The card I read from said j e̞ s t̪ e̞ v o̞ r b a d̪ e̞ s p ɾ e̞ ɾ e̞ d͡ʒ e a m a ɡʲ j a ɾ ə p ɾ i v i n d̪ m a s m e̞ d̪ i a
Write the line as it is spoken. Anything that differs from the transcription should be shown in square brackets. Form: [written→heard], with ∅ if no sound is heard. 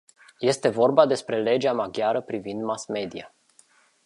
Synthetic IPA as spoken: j e̞ s t̪ e̞ v o̞ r b a d̪ e̞ s p ɾ e̞ [ɾ→l] e̞ d͡ʒ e a m a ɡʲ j a ɾ ə p ɾ i v i n d̪ m a s m e̞ d̪ i a